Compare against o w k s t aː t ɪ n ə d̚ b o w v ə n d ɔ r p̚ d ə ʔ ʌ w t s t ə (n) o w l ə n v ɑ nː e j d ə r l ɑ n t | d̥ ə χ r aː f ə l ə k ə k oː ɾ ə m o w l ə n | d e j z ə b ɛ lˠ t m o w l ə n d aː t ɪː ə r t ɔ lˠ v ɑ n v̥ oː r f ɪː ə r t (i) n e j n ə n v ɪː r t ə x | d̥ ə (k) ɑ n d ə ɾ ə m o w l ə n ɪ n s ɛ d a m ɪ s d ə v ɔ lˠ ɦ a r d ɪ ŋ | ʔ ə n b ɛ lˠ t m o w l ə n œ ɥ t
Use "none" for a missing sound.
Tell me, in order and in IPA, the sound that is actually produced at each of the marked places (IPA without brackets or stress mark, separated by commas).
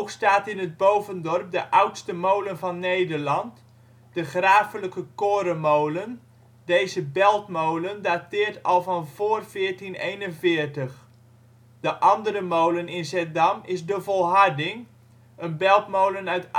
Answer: m, i, ʔ